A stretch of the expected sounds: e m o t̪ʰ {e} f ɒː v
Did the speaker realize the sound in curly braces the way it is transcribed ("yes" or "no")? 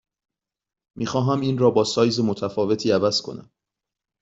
no